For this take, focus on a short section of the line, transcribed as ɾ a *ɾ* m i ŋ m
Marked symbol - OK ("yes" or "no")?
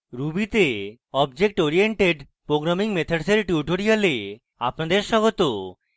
no